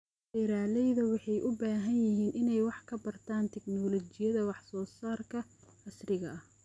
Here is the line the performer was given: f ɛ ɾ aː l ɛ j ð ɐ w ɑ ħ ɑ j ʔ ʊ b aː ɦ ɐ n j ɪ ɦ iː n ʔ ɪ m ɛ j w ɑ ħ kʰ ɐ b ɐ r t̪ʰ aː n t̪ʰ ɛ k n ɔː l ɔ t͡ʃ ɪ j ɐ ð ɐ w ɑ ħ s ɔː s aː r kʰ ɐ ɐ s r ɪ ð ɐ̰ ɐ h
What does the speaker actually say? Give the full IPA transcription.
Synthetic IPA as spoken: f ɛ ɾ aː l ɛ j ð ɐ w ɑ ħ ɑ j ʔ ʊ b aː ɦ ɐ n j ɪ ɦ iː n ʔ ɪ n ɛ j w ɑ ħ kʰ ɐ b ɐ r t̪ʰ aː n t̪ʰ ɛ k n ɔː l ɔ t͡ʃ ɪ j ɐ ð ɐ w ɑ ħ s ɔː s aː r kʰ ɐ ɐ s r ɪ ɣ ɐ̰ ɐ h